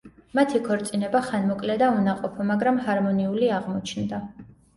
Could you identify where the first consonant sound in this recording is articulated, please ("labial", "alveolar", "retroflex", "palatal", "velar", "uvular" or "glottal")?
labial